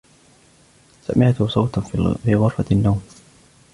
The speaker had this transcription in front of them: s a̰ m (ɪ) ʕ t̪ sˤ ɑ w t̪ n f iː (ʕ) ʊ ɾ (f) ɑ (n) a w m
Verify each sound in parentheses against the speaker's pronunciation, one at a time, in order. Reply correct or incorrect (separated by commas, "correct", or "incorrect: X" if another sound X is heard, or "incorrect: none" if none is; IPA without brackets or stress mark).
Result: correct, incorrect: ɣ, correct, incorrect: nː